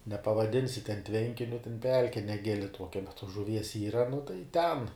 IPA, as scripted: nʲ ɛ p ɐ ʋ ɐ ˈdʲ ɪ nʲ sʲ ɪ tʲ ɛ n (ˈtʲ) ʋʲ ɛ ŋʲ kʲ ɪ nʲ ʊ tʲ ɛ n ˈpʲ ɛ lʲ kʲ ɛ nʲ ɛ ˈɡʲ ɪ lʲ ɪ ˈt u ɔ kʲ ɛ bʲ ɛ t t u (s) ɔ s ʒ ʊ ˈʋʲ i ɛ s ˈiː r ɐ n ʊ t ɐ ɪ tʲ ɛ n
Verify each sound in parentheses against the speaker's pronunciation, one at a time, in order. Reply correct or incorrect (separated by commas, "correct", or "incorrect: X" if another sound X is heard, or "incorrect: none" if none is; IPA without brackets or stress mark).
correct, incorrect: none